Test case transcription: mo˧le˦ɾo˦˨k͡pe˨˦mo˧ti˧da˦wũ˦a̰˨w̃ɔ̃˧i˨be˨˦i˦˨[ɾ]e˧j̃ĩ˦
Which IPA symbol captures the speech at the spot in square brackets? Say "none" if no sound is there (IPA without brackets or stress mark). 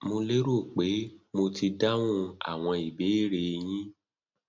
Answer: ɾ